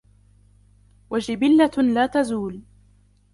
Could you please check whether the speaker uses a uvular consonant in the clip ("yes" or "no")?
no